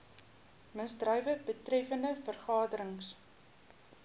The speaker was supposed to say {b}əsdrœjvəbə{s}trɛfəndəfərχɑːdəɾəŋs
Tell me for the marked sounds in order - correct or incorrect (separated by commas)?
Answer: incorrect, incorrect